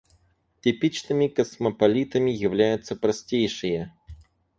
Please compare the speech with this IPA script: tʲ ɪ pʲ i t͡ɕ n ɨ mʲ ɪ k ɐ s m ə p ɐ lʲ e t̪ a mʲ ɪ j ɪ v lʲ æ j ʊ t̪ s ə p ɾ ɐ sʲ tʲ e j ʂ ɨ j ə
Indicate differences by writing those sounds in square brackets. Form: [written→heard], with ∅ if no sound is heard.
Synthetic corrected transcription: tʲ ɪ pʲ i t͡ɕ n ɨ mʲ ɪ k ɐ s m ə p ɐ lʲ [e→i] t̪ [a→ə] mʲ ɪ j ɪ v lʲ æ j ʊ t̪ s ə p ɾ ɐ sʲ tʲ e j ʂ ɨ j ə